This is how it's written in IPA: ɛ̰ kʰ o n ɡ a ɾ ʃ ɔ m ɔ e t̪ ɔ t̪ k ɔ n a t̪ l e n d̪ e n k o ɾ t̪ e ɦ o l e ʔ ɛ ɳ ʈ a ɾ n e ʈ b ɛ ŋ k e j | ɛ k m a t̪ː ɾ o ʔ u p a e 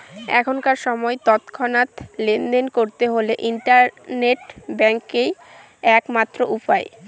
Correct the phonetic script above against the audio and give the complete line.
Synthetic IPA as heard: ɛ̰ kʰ o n k a ɾ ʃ ɔ m ɔ e t̪ ɔ t̪ kʰ ɔ n a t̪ l e n d̪ e n k o ɾ t̪ e ɦ o l e ʔ i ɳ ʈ a ɾ n e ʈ b ɛ ŋ k e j | ɛ k m a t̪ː ɾ o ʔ u p a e